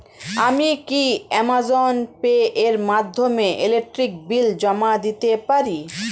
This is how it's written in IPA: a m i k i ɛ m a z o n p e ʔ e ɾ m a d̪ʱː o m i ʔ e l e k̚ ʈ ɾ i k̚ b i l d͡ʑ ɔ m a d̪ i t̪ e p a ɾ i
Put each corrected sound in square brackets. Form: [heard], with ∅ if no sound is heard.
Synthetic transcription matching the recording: a m i k i ɛ m a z o n p e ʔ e ɾ m a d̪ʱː o m [e] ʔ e l e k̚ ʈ ɾ i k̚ b i l d͡ʑ ɔ m a d̪ i t̪ e p a ɾ i